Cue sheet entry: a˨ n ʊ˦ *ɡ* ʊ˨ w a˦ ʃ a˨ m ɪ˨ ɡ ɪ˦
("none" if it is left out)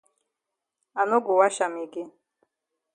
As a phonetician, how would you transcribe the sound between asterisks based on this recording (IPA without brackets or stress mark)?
ɡ